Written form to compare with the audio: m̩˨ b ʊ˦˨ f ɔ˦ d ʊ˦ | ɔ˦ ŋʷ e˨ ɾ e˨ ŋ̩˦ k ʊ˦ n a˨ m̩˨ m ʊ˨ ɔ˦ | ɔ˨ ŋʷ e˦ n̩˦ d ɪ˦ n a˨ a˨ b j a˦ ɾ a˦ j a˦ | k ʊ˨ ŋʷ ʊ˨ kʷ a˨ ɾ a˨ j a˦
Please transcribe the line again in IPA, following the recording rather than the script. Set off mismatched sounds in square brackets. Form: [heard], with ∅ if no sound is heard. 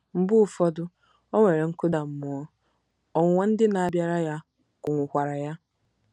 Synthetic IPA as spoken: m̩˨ b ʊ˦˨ f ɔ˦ d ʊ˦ | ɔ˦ ŋʷ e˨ ɾ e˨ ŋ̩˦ k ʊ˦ [d] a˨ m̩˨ m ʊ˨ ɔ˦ | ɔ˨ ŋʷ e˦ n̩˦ d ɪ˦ n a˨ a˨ b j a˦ ɾ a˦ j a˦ | k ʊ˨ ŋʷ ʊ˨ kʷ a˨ ɾ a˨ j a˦